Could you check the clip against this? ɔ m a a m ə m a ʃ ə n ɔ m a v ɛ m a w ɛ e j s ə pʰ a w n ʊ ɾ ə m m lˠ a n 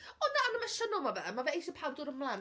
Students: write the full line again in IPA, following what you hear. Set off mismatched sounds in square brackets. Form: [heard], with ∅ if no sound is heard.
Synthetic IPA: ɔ [n] a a [n] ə m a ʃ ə n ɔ m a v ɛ m a [v] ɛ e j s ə pʰ a w [d] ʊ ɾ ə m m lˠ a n